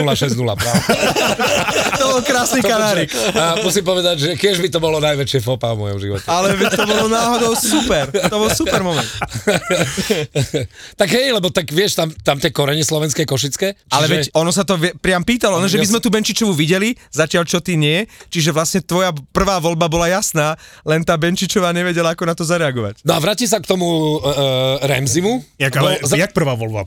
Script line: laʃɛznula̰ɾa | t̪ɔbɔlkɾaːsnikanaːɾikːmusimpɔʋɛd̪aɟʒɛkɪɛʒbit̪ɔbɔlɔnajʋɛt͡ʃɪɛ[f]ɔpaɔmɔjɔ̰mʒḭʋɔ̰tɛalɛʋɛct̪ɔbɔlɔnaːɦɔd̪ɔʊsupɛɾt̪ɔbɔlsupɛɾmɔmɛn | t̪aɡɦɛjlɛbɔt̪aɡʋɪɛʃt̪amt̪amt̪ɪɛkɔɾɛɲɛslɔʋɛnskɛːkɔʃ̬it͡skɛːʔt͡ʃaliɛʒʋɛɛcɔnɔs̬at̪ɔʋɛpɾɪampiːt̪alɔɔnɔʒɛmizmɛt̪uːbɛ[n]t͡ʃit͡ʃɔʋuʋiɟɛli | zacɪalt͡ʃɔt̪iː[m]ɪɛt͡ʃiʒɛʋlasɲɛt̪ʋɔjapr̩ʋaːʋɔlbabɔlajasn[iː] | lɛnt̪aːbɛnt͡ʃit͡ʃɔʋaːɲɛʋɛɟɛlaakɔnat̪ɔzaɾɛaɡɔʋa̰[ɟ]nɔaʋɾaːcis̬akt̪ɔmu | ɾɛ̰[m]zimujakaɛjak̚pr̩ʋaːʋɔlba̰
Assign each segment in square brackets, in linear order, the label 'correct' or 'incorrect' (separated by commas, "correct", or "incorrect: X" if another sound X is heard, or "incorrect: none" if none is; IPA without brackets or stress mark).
correct, correct, incorrect: ɲ, incorrect: aː, incorrect: c, correct